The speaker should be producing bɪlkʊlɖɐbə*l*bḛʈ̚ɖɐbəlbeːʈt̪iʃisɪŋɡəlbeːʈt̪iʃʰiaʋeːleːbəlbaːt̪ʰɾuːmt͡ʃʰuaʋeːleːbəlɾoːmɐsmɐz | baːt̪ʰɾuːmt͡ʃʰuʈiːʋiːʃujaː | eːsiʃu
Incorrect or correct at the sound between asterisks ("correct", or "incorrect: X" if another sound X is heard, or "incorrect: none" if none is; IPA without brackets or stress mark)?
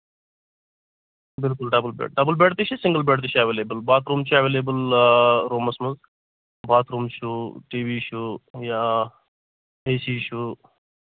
correct